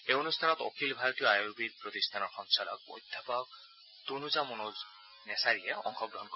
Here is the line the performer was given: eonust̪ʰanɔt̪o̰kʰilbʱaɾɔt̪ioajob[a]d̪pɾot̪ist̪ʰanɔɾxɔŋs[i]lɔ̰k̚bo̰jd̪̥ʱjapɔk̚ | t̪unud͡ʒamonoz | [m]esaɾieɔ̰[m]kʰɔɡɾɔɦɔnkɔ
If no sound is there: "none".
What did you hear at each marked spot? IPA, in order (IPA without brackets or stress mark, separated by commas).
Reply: i, a, n, ŋ